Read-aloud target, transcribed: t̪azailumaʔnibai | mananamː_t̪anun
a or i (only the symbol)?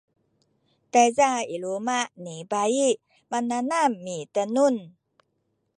i